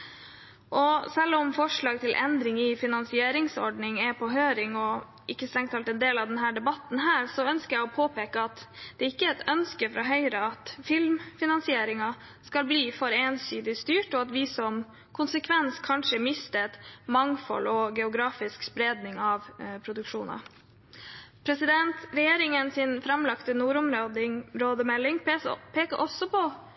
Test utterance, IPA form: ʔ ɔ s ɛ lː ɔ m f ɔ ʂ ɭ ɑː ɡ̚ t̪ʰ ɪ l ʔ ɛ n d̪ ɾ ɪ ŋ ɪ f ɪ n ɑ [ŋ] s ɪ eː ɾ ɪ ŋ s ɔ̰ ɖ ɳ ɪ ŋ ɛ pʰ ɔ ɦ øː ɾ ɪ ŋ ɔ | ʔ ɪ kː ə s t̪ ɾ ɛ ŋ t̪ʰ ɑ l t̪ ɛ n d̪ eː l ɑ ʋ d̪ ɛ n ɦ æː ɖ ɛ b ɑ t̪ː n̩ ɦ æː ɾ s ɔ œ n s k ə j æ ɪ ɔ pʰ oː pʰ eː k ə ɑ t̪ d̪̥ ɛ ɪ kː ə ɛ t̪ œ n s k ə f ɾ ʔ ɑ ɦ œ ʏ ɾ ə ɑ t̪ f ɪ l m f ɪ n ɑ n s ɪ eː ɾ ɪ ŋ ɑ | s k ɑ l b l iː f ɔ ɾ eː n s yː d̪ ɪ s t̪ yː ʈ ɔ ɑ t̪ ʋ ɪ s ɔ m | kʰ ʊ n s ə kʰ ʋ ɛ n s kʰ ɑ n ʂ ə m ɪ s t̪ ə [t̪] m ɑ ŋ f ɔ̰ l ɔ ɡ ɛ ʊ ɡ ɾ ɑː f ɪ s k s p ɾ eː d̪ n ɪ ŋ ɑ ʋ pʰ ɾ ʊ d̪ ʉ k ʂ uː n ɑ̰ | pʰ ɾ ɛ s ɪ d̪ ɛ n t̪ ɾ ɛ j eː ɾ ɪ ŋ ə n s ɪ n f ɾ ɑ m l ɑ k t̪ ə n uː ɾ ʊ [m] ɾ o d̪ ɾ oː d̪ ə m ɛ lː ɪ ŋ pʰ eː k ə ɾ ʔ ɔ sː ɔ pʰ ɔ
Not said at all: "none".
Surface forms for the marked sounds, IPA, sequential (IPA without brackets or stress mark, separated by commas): n, t̪, m